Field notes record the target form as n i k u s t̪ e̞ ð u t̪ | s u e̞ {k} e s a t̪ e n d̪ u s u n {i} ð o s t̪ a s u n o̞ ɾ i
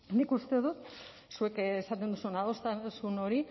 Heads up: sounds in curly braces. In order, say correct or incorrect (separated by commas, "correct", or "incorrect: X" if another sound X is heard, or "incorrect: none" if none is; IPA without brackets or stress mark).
correct, incorrect: a